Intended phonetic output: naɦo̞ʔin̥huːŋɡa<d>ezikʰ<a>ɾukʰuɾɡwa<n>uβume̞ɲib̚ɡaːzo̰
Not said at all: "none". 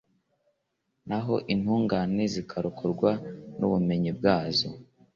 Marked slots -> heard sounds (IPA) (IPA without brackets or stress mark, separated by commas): n, a, n